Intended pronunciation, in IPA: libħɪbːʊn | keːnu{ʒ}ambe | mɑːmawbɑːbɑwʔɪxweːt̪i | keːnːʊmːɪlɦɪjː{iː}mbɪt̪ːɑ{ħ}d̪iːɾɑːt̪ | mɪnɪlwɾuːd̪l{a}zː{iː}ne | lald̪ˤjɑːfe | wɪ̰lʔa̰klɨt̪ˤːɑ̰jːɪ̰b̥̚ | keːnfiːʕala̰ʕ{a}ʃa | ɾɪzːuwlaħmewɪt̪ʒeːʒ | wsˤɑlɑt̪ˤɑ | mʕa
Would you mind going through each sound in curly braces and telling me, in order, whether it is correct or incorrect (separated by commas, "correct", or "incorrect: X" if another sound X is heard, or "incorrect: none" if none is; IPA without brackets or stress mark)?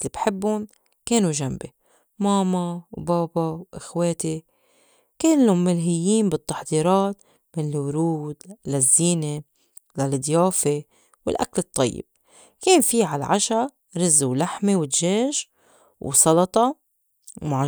correct, correct, correct, correct, correct, correct